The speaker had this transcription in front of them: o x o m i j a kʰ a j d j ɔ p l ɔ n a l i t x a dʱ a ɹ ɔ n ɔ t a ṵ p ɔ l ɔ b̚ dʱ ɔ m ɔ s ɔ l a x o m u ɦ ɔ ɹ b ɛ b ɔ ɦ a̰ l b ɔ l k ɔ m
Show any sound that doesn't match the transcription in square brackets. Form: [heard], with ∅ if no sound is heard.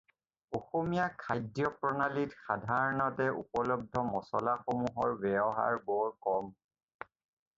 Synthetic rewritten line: o x o m i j a kʰ a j d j ɔ p [ɹ] ɔ n a l i t x a dʱ a ɹ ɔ n ɔ t [ɛ] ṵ p ɔ l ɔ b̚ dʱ ɔ m ɔ s ɔ l a x o m u ɦ ɔ ɹ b ɛ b ɔ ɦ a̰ [ɹ] b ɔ [ɹ] k ɔ m